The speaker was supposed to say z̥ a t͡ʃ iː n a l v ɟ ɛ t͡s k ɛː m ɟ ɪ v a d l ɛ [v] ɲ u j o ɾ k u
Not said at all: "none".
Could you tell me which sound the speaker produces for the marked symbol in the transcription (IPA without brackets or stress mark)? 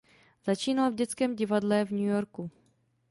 v